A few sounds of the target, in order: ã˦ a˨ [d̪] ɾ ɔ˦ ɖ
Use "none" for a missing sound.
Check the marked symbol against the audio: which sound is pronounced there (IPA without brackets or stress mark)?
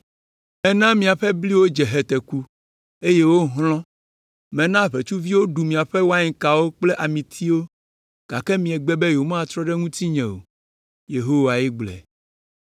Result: t̪